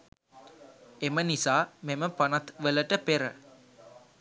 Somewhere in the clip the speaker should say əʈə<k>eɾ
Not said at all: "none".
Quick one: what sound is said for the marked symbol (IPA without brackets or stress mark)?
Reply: p